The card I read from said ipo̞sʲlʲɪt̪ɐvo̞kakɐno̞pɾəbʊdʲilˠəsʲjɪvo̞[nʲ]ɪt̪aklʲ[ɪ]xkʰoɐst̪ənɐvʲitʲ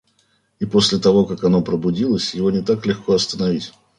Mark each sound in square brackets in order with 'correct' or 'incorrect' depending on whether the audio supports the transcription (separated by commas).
correct, correct